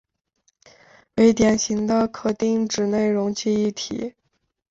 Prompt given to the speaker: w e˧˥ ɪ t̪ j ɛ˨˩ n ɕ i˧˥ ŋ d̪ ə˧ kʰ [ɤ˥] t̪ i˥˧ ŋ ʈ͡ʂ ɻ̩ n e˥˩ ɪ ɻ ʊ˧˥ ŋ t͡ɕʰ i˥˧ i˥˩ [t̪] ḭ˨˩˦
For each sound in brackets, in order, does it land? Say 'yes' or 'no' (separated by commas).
no, no